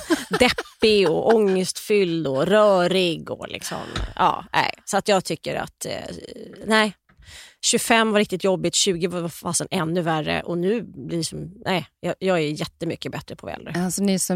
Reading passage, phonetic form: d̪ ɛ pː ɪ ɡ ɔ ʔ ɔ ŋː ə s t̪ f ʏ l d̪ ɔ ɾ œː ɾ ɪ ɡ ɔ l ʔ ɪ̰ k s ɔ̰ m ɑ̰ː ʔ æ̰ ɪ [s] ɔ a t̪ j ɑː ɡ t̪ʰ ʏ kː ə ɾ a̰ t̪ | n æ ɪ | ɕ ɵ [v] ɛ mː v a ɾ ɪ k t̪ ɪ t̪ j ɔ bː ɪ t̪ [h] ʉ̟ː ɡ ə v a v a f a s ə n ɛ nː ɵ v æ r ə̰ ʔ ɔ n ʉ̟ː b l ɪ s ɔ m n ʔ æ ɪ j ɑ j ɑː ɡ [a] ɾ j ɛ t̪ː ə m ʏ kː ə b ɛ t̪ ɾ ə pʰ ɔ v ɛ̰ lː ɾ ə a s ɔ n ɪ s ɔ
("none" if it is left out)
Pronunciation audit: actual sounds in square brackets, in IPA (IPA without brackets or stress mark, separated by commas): s, f, ɕ, æ